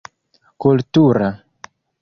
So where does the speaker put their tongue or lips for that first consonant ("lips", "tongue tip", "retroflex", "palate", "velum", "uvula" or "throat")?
velum